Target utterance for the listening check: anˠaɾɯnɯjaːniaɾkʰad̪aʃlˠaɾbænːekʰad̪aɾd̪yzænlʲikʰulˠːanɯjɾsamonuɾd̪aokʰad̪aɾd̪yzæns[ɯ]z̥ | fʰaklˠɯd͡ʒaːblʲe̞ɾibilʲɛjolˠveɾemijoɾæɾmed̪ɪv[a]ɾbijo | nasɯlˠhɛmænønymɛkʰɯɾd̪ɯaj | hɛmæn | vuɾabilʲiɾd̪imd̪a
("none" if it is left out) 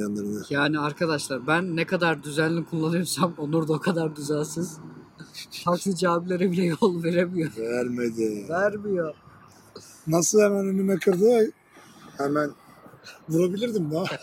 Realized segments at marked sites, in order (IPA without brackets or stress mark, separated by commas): ɯ, æ